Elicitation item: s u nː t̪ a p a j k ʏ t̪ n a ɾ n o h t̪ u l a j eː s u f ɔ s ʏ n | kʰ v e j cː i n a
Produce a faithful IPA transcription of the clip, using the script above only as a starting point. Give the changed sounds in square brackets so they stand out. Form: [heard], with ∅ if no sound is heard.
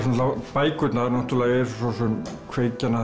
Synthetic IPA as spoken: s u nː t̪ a p a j k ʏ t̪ n a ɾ n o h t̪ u l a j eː s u [s] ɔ s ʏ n | kʰ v e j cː [a] n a